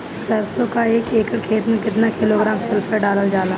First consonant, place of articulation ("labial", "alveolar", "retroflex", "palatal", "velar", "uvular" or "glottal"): alveolar